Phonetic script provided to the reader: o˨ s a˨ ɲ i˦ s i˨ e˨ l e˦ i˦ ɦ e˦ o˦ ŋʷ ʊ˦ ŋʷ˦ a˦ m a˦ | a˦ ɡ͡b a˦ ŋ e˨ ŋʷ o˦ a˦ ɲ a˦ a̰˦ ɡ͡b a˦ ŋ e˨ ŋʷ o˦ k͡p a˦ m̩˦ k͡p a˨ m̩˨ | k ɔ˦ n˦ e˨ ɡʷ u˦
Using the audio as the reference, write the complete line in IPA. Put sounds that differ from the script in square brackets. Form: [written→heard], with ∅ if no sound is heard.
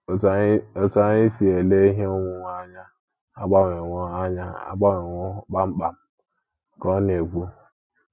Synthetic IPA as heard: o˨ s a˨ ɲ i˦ s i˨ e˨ l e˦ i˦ ɦ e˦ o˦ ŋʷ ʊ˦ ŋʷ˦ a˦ [m→ɲ] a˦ | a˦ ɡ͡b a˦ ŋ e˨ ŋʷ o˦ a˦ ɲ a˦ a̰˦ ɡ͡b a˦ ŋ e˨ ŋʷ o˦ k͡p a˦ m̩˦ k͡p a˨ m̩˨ | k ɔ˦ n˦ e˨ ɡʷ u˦